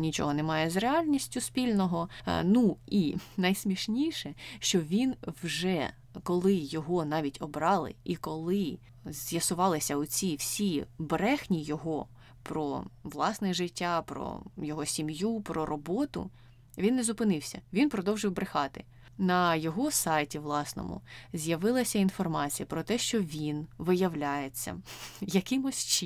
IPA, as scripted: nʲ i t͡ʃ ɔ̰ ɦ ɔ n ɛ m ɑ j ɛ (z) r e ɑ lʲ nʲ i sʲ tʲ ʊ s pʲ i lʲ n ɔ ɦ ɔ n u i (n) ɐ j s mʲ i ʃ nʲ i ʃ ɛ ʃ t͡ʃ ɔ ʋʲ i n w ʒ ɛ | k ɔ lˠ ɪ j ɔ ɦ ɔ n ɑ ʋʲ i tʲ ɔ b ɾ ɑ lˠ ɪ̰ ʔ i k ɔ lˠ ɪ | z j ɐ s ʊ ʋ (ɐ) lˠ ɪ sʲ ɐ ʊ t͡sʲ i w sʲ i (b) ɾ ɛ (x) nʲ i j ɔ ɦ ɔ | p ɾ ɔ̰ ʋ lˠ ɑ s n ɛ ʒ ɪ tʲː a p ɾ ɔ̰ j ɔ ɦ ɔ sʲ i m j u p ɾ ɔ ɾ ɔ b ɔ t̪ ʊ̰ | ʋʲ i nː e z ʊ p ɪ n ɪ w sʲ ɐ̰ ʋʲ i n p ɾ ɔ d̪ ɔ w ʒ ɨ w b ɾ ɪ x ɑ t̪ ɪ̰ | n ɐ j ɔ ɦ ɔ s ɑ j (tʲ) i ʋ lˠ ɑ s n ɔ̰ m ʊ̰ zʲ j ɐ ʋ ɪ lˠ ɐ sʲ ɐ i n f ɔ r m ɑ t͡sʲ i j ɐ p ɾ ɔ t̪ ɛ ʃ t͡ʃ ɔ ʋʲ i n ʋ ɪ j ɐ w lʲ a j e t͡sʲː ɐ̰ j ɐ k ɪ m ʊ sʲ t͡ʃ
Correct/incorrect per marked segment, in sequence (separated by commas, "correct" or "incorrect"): correct, correct, incorrect, correct, correct, correct